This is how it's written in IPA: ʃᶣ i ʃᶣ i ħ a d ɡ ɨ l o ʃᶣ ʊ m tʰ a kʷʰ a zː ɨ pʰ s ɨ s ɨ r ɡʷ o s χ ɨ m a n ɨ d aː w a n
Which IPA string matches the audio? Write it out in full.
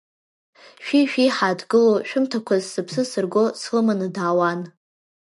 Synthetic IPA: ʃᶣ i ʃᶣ i ħ a d ɡ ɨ l o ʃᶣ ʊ m tʰ a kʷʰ a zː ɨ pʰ s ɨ s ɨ r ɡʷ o s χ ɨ m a n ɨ d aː w a n